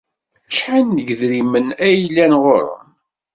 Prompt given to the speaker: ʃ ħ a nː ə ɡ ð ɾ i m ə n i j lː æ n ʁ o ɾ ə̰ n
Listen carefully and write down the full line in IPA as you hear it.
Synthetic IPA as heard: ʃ ħ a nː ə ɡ ð ɾ i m ə n æ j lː æ n ʁ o ɾ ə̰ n